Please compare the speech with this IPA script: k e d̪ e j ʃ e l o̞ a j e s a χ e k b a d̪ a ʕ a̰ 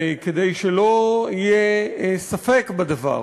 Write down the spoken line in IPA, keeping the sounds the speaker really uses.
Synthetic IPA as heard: k e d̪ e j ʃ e l o̞ i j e s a f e k b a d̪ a v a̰